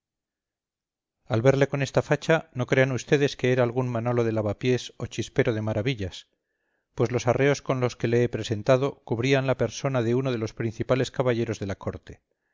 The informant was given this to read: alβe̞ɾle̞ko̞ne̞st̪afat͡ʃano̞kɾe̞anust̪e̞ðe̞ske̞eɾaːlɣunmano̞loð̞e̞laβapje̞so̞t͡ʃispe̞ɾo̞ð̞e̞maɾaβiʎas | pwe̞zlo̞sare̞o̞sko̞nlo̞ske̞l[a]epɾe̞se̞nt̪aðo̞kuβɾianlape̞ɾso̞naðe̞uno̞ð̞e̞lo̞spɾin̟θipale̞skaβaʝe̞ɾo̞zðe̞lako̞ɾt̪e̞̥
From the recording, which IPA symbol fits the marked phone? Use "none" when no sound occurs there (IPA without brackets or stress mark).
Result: e